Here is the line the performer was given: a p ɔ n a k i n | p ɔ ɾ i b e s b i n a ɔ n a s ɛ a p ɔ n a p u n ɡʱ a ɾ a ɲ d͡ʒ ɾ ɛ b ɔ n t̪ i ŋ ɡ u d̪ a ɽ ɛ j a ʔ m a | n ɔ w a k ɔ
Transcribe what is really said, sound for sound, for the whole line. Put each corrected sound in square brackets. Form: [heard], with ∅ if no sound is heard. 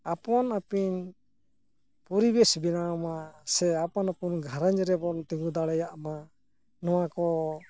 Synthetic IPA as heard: a p ɔ n a [p] i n | p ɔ ɾ i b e s b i n a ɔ [m] a s ɛ a p ɔ n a p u n ɡʱ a ɾ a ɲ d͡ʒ ɾ ɛ b ɔ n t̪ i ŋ ɡ u d̪ a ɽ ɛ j a ʔ m a | n ɔ w a k ɔ